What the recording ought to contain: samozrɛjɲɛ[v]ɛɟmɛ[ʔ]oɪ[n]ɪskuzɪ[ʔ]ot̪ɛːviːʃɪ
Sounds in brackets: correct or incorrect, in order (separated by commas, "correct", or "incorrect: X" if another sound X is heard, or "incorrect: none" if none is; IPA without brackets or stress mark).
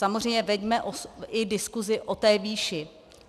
correct, correct, incorrect: d, correct